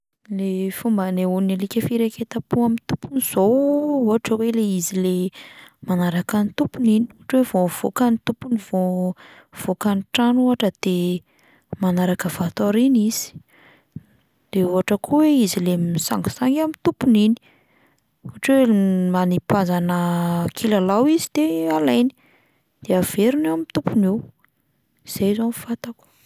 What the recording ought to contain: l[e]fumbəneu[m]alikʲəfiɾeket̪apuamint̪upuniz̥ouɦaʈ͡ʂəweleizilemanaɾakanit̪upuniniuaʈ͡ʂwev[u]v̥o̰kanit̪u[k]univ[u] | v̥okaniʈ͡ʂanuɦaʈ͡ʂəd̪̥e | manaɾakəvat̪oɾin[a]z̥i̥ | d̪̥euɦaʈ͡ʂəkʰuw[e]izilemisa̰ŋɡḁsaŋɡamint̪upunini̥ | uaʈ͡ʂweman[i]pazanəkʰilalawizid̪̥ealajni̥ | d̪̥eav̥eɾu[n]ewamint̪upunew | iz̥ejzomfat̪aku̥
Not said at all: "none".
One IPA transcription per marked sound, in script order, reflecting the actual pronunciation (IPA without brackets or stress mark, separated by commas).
e, n, o, p, o, i, e, i, n